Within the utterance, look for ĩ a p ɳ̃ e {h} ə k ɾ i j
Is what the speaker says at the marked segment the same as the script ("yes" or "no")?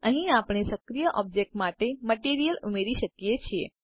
no